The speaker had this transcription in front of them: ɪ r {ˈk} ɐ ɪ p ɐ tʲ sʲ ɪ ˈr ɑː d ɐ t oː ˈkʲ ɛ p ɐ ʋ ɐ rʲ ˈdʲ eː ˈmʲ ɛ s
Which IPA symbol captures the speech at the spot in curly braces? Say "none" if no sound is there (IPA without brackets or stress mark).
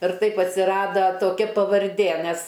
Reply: t